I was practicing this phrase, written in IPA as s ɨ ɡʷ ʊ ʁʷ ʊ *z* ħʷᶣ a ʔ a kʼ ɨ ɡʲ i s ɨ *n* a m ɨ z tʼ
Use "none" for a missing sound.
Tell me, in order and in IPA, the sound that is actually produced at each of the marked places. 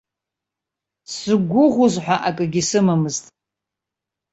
z, m

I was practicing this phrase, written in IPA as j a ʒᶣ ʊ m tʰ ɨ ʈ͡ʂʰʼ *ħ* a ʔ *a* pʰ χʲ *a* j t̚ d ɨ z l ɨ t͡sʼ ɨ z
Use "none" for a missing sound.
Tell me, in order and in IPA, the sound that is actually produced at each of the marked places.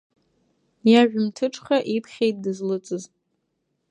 χ, i, e

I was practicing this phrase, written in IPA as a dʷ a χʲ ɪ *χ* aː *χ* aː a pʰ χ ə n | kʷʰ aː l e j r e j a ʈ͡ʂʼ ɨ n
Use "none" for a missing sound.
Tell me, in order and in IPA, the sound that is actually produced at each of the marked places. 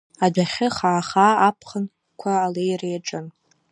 χ, χ

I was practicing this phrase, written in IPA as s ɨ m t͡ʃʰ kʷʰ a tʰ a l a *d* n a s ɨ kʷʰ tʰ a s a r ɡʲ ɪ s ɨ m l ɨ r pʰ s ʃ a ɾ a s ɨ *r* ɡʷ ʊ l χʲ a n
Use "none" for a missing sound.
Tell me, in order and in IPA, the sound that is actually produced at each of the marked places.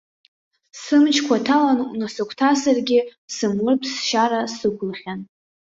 n, none

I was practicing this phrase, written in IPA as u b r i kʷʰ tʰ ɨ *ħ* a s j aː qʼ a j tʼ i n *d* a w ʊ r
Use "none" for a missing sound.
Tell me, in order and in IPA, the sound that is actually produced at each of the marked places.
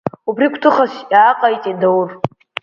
χ, d

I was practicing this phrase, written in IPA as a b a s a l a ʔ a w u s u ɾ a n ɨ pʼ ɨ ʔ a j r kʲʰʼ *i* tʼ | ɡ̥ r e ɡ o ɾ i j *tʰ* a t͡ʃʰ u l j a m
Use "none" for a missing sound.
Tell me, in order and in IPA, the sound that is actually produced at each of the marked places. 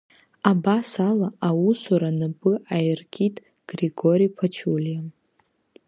i, pʰ

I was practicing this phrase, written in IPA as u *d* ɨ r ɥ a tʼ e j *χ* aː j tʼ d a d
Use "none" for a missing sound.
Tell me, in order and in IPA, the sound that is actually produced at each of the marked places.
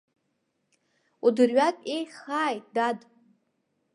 d, χ

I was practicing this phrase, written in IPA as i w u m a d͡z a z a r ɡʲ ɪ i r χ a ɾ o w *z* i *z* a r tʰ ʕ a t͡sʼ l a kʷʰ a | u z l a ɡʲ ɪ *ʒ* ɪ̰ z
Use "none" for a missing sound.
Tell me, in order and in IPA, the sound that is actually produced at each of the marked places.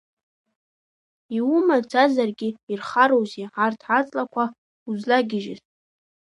z, ʕ, ʒ

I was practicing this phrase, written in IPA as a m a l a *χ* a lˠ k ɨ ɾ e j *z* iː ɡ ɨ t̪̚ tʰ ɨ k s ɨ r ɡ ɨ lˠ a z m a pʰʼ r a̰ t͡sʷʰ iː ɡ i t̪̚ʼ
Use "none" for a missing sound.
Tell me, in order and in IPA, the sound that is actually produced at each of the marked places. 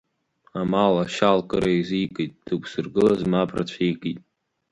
ʃ, z

